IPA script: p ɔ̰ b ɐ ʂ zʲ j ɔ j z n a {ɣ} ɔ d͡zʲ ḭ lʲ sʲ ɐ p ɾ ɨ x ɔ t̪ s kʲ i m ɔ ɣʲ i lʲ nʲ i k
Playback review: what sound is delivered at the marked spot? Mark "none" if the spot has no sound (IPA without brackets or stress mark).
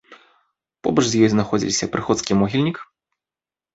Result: x